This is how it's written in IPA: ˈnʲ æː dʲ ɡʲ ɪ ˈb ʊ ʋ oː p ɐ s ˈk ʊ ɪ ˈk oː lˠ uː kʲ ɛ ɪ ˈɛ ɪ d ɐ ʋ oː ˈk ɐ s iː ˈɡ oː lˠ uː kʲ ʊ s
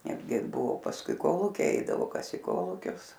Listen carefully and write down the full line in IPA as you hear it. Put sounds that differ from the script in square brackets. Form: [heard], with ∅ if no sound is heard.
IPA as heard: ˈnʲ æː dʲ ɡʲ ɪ ˈb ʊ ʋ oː p ɐ s ˈk ʊ ɪ ˈk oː lˠ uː kʲ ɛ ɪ ˈɛ ɪ d ɐ ʋ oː ˈk ɐ s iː [ˈk] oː lˠ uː kʲ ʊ s